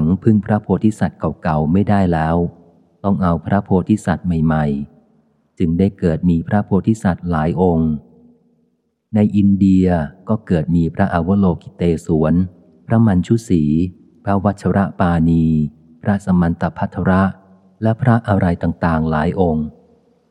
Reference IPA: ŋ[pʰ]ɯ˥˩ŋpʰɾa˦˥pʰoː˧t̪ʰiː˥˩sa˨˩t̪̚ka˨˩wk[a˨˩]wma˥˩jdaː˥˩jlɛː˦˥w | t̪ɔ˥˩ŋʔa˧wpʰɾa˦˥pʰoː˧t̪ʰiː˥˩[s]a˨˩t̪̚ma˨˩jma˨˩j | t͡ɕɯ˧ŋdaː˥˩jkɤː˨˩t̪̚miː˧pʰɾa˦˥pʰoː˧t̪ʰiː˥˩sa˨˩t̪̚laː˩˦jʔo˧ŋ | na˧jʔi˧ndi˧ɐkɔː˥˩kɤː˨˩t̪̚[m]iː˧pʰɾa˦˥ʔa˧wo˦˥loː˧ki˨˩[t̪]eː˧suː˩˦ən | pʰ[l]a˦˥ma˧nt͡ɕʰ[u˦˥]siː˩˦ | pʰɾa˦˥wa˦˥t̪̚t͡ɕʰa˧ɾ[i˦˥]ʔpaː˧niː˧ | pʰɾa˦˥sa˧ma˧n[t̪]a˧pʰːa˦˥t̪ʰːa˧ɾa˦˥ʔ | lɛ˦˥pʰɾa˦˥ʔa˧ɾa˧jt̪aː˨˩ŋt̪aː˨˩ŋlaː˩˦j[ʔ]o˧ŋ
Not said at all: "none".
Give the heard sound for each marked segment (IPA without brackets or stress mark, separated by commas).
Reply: pʰ, a˨˩, s, m, t̪, ɾ, u˦˥, a˦˥, t̪, ʔ